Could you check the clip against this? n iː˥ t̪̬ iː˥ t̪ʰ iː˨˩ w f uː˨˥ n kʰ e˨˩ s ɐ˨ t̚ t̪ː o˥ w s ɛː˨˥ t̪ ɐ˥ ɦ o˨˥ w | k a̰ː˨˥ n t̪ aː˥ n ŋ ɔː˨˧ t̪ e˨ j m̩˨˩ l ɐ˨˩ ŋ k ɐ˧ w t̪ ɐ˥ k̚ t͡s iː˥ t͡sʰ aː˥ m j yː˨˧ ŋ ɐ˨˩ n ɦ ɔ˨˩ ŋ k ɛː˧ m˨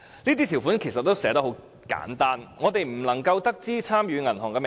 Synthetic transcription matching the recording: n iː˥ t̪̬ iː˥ t̪ʰ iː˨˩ w f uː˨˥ n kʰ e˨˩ s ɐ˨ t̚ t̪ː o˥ w s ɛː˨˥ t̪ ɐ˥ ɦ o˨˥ w | k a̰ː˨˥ n t̪ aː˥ n ŋ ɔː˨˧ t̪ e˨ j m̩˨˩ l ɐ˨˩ ŋ k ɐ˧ w t̪ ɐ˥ k̚ t͡s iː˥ t͡sʰ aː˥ m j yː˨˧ ŋ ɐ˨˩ n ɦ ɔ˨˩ ŋ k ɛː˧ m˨

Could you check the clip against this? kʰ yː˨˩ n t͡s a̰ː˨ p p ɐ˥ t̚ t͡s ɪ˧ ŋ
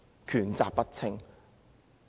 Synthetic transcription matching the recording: kʰ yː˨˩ n t͡s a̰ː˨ p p ɐ˥ t̚ t͡sʰ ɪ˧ ŋ

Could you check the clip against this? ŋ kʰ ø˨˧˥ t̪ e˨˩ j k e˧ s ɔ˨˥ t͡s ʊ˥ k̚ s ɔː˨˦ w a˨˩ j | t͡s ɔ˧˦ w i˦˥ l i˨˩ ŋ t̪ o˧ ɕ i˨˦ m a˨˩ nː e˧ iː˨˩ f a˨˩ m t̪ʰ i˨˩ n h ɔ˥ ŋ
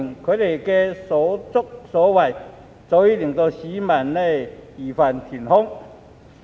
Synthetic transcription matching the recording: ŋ kʰ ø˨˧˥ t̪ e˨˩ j k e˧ s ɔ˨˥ t͡s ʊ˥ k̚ s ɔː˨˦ w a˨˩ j | t͡s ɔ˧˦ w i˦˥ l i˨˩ ŋ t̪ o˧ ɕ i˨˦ m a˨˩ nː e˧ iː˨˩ f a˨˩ n t̪ʰ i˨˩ n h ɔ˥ ŋ

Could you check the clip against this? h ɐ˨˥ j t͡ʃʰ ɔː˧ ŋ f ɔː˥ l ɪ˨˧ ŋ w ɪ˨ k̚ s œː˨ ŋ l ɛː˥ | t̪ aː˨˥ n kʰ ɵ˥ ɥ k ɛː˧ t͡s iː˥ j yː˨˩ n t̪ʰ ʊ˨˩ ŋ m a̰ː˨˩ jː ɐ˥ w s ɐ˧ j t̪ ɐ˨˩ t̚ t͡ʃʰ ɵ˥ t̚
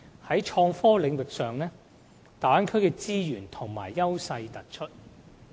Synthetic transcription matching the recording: h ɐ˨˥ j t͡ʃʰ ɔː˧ ŋ f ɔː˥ l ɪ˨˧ ŋ w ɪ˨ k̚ s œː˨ ŋ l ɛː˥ | t̪ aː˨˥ n kʰ ɵ˥ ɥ k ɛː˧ t͡s iː˥ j yː˨˩ n t̪ʰ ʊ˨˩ ŋ m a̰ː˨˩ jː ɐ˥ w s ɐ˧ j t̪ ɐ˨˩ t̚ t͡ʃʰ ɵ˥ t̚

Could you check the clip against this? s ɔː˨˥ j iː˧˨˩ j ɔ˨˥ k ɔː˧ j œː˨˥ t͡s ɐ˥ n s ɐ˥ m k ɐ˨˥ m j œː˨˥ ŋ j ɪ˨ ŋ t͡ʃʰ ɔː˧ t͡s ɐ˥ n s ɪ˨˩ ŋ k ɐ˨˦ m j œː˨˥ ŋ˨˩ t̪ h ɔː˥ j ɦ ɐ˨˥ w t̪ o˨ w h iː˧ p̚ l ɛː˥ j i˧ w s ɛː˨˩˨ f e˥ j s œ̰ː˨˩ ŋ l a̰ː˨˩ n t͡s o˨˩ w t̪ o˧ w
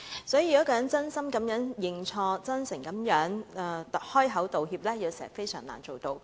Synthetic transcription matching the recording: s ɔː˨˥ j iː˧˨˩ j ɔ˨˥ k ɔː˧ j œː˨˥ t͡s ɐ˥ n s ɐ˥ m k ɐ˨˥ m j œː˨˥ ŋ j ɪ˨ ŋ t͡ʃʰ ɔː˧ t͡s ɐ˥ n s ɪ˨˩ ŋ k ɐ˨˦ m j œː˨˥ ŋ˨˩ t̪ h ɔː˥ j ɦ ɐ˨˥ w t̪ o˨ w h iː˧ p̚ l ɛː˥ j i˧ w s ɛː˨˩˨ f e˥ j s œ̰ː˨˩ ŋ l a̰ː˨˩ n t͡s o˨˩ w t̪ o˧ w

